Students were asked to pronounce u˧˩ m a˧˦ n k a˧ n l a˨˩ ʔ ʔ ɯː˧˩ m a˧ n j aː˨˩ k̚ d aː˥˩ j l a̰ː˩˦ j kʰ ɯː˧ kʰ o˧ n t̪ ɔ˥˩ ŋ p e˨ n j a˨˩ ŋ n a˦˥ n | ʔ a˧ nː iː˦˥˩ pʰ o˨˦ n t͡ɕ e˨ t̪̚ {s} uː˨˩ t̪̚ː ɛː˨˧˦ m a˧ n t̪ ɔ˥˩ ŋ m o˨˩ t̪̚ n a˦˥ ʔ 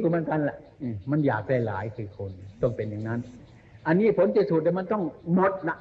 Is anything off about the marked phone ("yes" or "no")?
no